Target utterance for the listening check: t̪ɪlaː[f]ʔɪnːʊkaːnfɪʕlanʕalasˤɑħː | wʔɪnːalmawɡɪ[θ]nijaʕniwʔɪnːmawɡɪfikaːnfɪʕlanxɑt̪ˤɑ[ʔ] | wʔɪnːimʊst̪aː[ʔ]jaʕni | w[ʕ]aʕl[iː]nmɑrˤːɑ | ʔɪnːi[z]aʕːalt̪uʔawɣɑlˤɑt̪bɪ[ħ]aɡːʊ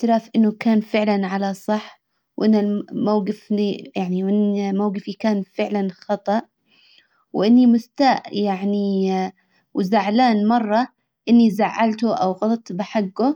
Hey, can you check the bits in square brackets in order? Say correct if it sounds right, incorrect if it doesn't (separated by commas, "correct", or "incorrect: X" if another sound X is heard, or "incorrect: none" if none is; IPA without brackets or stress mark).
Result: correct, incorrect: f, correct, correct, incorrect: z, incorrect: aː, correct, correct